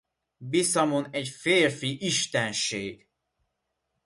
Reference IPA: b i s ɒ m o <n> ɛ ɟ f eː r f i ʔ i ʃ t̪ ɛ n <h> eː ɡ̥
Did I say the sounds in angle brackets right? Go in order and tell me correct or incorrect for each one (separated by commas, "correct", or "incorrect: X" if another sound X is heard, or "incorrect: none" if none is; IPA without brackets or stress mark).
correct, incorrect: ʃ